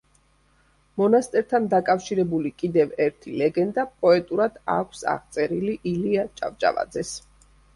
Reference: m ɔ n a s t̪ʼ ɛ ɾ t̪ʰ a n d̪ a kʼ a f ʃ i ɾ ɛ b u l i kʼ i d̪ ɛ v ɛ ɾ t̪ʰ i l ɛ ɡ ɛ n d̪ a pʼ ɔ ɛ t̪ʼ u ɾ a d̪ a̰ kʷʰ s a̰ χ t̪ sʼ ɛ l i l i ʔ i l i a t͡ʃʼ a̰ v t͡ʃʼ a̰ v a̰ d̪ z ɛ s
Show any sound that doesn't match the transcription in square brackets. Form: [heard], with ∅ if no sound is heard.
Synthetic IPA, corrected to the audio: m ɔ n a s t̪ʼ ɛ ɾ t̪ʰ a n d̪ a kʼ a f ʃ i ɾ ɛ b u l i kʼ i d̪ ɛ v ɛ ɾ t̪ʰ i l ɛ ɡ ɛ n d̪ a pʼ ɔ ɛ t̪ʼ u ɾ a d̪ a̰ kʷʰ s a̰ [ʁ] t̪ sʼ ɛ [ɾ] i l i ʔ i l i a t͡ʃʼ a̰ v t͡ʃʼ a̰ v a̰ d̪ z ɛ s